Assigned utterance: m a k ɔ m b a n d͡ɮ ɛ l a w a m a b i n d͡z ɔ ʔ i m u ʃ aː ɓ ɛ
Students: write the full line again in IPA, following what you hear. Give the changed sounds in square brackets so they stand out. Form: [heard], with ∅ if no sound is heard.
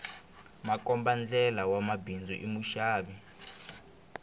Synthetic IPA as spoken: m a k ɔ m b a n d͡ɮ ɛ l a w a m a b i n d͡z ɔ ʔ i m u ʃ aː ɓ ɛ

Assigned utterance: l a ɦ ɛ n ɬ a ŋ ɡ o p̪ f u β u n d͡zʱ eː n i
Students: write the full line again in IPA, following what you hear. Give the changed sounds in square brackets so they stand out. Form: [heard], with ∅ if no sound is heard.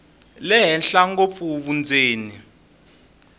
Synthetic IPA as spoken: l [ɛ] ɦ ɛ n ɬ a ŋ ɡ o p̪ f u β u n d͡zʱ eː n i

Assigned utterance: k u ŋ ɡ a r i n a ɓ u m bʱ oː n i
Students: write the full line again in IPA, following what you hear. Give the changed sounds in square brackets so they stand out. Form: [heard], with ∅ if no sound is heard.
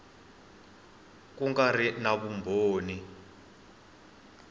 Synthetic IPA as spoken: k u ŋ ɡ a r i n a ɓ u m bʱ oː n i

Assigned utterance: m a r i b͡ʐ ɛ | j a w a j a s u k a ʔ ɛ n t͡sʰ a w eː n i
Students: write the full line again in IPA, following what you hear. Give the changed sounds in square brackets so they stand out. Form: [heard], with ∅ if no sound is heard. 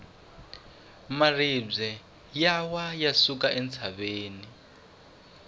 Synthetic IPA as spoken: m a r i b͡ʐ ɛ | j a w a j a s u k a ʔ ɛ n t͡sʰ a [β] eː n i

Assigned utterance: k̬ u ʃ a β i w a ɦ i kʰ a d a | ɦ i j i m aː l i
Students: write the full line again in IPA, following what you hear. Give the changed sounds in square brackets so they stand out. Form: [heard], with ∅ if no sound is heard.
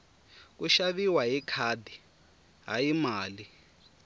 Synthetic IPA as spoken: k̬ u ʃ a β i w a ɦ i kʰ a d [i] | ɦ [a] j i m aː l i

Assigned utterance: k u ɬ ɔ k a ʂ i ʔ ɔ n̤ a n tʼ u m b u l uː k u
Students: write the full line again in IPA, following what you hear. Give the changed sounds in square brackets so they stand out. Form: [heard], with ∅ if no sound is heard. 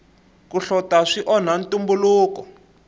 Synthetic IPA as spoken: k u ɬ ɔ [t] a ʂ i ʔ ɔ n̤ a n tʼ u m b u l uː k [ɔ]

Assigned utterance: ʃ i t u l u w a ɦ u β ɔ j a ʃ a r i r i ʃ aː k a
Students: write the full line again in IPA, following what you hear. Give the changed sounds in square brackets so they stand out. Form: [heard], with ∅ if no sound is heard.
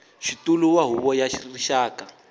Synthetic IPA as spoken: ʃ i t u l u w a ɦ u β ɔ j a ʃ [i] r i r i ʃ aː k a

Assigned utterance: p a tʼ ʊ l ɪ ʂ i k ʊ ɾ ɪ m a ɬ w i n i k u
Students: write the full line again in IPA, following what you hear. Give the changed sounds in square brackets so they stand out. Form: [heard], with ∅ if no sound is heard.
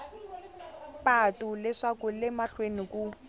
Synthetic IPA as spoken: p a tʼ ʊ l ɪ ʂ [a] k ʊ [l] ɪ m a ɬ w [e] n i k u

